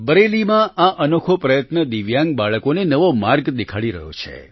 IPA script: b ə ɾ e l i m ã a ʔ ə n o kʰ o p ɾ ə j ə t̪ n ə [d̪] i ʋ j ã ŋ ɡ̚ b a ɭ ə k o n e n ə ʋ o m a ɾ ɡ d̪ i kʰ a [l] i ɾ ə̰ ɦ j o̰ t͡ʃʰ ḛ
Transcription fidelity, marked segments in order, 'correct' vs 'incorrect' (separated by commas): correct, incorrect